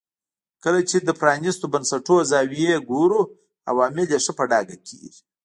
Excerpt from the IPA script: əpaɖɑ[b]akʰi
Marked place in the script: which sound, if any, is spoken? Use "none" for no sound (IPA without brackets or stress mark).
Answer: ɡ